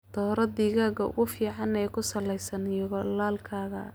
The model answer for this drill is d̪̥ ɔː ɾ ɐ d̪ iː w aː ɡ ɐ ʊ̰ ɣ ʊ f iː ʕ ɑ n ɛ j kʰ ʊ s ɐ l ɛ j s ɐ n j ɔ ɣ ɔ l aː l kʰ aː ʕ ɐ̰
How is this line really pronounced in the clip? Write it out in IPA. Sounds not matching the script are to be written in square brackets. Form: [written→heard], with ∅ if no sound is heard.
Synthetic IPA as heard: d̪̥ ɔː ɾ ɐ d̪ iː [w→ɣ] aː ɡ ɐ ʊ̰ ɣ ʊ f iː ʕ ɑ n ɛ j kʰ ʊ s ɐ l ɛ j s ɐ n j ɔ ɣ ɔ l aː l kʰ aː [ʕ→ɣ] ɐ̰